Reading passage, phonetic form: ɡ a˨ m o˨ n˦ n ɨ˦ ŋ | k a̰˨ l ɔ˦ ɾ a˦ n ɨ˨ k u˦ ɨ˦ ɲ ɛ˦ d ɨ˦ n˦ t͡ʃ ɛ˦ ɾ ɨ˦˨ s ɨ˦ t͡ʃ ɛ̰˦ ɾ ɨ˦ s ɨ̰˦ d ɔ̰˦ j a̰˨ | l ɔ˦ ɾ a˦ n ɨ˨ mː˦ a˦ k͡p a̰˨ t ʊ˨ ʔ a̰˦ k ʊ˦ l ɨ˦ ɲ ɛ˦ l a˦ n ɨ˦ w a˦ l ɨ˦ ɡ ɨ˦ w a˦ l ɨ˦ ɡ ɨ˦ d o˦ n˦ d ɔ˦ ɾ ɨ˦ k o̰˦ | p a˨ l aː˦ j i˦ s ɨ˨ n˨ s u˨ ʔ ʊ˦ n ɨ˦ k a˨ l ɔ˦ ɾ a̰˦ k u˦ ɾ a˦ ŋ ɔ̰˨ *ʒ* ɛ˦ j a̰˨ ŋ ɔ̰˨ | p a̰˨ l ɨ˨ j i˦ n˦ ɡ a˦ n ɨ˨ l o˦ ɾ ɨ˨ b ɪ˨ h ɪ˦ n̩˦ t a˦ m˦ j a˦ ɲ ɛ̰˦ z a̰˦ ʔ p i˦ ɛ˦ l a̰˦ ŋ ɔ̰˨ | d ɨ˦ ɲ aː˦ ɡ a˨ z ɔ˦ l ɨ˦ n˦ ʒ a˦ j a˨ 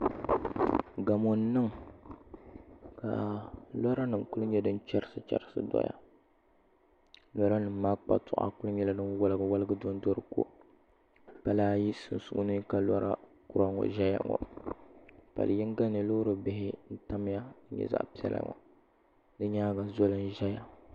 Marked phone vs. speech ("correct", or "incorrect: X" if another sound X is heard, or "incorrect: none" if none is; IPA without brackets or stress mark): correct